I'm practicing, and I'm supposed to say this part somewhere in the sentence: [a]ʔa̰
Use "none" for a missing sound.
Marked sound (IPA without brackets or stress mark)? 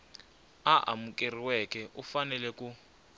a